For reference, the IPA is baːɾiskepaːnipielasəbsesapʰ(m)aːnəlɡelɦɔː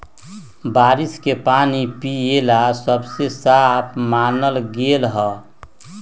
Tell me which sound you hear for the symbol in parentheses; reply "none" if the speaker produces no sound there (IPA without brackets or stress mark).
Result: m